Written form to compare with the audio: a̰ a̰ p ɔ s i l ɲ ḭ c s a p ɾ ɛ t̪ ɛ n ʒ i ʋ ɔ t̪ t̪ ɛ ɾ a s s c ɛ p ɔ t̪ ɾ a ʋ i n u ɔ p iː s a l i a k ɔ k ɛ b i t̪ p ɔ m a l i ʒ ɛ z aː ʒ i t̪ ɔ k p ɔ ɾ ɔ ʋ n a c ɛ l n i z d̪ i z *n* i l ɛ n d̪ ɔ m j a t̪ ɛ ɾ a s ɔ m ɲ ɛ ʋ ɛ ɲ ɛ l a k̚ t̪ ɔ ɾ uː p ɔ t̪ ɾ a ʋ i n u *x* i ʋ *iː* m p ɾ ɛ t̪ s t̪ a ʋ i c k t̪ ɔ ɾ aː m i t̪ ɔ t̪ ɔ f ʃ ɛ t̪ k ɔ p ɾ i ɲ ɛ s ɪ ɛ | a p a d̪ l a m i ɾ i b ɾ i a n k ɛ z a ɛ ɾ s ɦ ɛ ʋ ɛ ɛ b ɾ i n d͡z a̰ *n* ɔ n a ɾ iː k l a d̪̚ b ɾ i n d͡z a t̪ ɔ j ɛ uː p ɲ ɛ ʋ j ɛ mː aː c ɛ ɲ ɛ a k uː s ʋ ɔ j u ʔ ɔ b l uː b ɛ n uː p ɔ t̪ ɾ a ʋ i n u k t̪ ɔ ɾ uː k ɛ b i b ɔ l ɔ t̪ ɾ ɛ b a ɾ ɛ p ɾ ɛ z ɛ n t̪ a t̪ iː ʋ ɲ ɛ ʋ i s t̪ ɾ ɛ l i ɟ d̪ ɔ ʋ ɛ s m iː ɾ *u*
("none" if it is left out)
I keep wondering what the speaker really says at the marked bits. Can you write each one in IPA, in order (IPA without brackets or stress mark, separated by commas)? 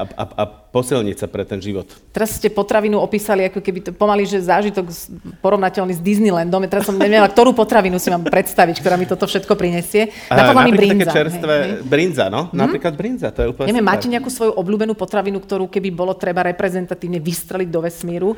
n, s, aː, n, u